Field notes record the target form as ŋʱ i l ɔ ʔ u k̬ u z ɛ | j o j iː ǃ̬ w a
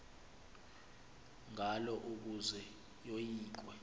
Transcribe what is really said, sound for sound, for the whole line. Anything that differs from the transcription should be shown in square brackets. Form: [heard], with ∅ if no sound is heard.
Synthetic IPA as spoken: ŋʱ [a] l ɔ ʔ u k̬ u z ɛ | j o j iː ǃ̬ w [ɛ]